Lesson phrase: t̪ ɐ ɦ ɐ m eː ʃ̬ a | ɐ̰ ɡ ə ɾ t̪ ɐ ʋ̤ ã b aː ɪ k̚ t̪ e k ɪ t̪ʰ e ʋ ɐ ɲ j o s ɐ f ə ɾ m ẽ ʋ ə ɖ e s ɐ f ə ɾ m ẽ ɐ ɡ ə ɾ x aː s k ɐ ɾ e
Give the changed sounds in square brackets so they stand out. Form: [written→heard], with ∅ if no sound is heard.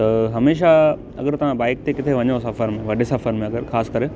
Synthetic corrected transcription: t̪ ɐ ɦ ɐ m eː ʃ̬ a | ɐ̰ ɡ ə ɾ t̪ ɐ ʋ̤ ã b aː ɪ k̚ t̪ e k ɪ t̪ʰ e ʋ ɐ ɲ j o s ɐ f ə ɾ m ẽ ʋ [ə→ɐ] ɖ e s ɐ f ə ɾ m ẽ ɐ ɡ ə ɾ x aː s k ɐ ɾ e